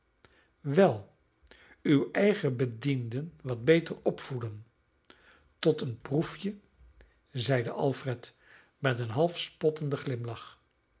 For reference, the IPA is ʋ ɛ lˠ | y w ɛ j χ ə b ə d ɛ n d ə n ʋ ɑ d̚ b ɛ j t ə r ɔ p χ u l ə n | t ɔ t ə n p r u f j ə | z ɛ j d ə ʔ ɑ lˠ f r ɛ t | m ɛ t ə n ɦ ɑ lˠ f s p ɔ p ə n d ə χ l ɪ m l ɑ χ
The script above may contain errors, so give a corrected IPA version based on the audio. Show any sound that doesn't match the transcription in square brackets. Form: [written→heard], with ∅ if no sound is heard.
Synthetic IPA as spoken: ʋ ɛ lˠ | y w ɛ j χ ə b ə d [ɛ→i] n d ə n ʋ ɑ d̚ b [ɛ→e] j t ə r ɔ p [χ→f] u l ə n | t ɔ t ə n p r u f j ə | z ɛ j d ə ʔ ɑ lˠ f r ɛ t | m ɛ t ə n ɦ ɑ lˠ f s p ɔ [p→t] ə n d ə χ l ɪ m l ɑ χ